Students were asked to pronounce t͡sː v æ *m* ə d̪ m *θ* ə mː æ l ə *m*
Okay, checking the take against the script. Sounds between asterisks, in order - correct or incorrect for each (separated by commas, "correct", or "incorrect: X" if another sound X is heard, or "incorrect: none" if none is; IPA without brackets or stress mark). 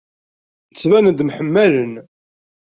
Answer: incorrect: n, incorrect: ħ, incorrect: n